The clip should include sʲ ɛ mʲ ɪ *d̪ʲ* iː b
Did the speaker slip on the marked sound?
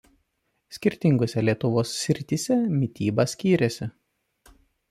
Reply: yes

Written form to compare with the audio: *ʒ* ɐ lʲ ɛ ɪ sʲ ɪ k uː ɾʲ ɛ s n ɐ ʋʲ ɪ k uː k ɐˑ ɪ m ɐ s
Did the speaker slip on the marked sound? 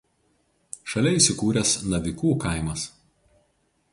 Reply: yes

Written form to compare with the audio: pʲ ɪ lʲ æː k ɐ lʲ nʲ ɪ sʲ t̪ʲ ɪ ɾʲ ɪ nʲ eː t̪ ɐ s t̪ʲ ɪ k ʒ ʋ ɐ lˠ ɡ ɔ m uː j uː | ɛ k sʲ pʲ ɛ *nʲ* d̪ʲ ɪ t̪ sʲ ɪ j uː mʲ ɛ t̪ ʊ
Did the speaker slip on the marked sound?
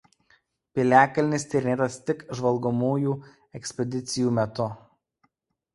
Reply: yes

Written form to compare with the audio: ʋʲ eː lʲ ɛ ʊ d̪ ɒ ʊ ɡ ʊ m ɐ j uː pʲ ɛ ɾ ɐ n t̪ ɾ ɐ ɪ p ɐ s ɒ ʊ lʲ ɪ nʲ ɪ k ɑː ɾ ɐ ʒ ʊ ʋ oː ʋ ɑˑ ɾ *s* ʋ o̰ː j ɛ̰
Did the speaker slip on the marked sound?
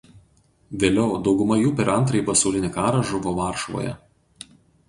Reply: yes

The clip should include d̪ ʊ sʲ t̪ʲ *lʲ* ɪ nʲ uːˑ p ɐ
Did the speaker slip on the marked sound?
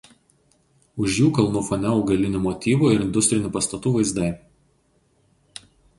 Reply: yes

